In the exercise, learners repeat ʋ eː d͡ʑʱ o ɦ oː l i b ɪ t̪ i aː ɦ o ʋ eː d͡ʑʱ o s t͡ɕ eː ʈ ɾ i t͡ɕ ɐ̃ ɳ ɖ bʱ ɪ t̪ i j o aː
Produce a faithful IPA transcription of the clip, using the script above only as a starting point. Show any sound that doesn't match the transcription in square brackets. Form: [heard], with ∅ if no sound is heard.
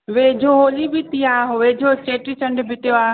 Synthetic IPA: ʋ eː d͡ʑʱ o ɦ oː l i b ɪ t̪ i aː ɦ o ʋ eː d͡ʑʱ o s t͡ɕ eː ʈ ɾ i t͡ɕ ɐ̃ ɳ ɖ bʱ ɪ t̪ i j o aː